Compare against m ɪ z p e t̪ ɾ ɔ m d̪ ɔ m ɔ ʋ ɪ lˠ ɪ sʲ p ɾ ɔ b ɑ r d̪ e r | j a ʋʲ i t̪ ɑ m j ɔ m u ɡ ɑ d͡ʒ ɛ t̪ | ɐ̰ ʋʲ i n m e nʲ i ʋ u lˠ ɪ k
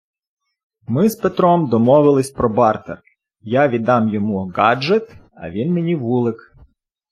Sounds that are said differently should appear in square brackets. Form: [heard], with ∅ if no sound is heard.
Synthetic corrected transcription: m ɪ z p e t̪ ɾ ɔ m d̪ ɔ m ɔ ʋ ɪ lˠ ɪ sʲ p ɾ ɔ b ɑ r [t̪] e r | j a ʋʲ i [d̪] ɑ m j ɔ m u ɡ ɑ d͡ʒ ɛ t̪ | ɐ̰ ʋʲ i n m e nʲ i ʋ u lˠ ɪ k